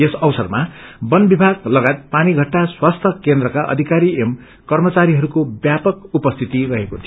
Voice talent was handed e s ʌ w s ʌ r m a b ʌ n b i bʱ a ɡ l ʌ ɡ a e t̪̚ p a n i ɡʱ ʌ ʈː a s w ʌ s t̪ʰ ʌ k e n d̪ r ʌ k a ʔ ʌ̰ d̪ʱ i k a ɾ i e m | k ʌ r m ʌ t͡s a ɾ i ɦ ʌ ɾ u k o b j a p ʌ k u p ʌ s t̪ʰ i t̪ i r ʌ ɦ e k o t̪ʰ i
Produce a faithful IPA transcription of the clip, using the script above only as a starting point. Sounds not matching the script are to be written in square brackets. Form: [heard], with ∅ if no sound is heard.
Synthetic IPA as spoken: e s ʌ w s ʌ r m a b ʌ n b i bʱ a ɡ l ʌ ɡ a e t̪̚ p a n i ɡʱ ʌ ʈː a s w [a] s t̪ʰ ʌ k e n d̪ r ʌ k a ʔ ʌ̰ d̪ʱ i k a ɾ i e m | k ʌ r m ʌ t͡s a ɾ i ɦ ʌ ɾ u k o b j a p ʌ k u p ʌ s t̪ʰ i t̪ i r ʌ ɦ e k o t̪ʰ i